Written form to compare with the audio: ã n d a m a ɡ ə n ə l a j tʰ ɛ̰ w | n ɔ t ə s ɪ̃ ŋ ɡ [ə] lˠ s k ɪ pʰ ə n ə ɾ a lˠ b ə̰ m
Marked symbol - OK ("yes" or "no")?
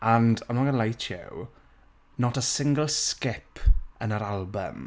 yes